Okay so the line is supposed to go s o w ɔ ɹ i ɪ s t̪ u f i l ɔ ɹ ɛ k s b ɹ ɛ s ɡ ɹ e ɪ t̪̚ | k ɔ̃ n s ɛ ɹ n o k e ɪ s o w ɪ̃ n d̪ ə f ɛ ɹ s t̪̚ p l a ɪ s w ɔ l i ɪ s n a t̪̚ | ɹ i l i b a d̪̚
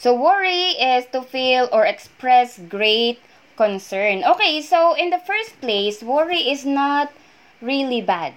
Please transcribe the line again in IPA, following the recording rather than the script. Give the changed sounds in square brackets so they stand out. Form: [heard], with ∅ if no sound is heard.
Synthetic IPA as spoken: s o w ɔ ɹ i ɪ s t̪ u f i l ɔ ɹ ɛ k s [p] ɹ ɛ s ɡ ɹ e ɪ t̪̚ | k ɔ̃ n s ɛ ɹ n o k e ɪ s o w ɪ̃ n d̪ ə f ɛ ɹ s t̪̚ p l [e] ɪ s w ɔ [ɹ] i ɪ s n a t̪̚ | ɹ i l i b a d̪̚